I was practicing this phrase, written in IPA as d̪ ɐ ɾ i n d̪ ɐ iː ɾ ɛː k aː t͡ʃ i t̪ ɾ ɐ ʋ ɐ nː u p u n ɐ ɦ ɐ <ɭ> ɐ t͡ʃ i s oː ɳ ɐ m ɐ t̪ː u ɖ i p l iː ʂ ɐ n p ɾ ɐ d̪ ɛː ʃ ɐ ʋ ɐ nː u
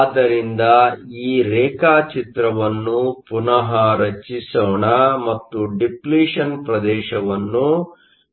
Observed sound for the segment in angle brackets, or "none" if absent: ɾ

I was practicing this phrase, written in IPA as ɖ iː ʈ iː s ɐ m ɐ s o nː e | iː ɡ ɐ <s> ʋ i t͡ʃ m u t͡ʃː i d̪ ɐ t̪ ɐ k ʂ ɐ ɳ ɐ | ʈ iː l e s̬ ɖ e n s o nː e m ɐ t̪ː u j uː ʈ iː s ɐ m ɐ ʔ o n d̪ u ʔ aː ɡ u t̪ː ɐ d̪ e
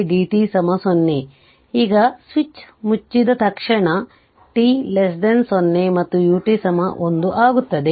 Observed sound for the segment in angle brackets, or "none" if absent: s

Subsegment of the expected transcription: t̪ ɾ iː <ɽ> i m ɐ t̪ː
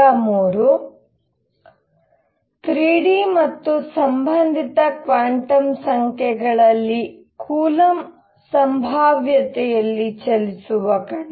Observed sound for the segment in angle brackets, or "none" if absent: ɽ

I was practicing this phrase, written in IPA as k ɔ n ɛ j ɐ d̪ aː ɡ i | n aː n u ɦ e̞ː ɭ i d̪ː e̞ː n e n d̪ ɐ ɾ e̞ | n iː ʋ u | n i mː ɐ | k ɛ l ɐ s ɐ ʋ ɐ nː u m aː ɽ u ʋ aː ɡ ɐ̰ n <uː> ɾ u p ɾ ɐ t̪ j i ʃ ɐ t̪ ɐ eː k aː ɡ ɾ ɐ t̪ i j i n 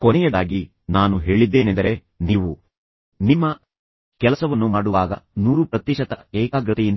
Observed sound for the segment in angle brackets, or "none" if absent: uː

